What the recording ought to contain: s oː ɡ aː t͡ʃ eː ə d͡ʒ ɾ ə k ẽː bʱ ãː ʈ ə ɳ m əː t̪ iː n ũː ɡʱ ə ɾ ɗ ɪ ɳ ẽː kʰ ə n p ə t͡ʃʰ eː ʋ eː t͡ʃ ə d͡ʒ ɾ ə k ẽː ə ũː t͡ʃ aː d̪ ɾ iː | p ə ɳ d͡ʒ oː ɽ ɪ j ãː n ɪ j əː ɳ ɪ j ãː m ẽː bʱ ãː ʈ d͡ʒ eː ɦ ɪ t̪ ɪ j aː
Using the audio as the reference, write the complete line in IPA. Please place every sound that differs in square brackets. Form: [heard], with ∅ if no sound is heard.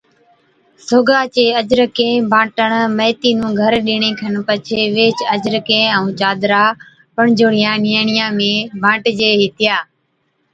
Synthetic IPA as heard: s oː ɡ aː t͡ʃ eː ə d͡ʒ ɾ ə k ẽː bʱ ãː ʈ ə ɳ m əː t̪ iː n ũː ɡʱ ə ɾ ɗ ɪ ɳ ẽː kʰ ə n p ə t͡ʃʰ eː ʋ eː t͡ʃ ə d͡ʒ ɾ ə k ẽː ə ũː t͡ʃ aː d̪ ɾ [aː] | p ə ɳ d͡ʒ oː ɽ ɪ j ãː n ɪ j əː ɳ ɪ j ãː m ẽː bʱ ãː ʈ d͡ʒ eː ɦ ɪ t̪ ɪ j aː